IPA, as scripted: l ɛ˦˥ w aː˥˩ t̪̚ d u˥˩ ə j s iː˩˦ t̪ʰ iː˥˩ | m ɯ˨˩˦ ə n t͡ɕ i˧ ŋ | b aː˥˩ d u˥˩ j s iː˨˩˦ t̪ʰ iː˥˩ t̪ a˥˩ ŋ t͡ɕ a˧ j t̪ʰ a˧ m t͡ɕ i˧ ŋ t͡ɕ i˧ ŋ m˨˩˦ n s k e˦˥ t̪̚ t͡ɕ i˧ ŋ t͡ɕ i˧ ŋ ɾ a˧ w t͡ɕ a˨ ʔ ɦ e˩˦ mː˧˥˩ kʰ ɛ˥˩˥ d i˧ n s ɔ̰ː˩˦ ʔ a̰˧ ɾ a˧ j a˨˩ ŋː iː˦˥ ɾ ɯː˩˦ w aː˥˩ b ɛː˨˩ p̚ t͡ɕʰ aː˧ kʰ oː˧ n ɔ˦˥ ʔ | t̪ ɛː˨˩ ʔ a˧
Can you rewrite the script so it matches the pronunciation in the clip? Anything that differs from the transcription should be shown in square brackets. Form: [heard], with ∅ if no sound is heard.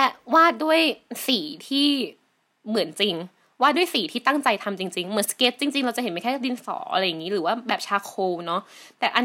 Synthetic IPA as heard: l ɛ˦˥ w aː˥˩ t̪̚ d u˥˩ ə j s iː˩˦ t̪ʰ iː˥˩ | m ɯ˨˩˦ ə n t͡ɕ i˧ ŋ | [w] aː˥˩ d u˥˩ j s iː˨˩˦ t̪ʰ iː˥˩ t̪ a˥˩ ŋ t͡ɕ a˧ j t̪ʰ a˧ m t͡ɕ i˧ ŋ t͡ɕ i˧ ŋ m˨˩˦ n s k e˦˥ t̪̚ t͡ɕ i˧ ŋ t͡ɕ i˧ ŋ ɾ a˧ w t͡ɕ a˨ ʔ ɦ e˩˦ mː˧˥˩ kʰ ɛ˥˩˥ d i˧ n s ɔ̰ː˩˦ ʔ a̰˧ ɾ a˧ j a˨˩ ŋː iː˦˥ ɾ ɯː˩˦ w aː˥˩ b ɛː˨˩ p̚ t͡ɕʰ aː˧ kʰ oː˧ n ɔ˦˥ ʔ | t̪ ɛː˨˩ ʔ a˧